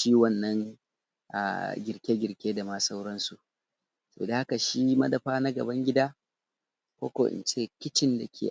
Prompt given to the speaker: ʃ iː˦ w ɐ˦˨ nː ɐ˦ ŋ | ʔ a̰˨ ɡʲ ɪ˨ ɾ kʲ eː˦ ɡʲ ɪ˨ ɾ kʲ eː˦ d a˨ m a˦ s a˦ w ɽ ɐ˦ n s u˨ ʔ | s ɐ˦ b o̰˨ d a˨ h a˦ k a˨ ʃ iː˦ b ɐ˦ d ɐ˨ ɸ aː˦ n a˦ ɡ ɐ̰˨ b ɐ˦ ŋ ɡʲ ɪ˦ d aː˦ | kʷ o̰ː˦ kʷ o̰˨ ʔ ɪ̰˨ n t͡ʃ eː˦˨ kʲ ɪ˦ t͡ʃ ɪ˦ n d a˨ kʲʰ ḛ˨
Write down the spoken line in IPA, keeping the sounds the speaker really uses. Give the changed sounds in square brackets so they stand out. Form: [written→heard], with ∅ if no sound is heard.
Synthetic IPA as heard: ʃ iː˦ w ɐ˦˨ nː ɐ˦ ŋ | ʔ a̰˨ ɡʲ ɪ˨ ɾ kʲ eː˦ ɡʲ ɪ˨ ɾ kʲ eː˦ d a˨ m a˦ s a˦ w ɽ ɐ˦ n s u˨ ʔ | s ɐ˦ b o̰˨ d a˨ h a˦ k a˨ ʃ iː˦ [b→m] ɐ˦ d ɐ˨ ɸ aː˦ n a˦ ɡ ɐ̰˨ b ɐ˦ ŋ ɡʲ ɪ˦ d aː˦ | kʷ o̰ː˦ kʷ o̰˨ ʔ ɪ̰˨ n t͡ʃ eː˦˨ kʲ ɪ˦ t͡ʃ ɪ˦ n d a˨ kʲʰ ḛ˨